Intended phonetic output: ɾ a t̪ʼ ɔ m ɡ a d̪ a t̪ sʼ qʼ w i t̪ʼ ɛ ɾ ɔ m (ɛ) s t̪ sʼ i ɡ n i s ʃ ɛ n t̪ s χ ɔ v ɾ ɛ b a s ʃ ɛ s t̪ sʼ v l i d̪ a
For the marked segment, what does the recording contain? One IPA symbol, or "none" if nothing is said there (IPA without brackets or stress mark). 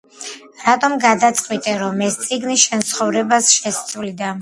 ɛ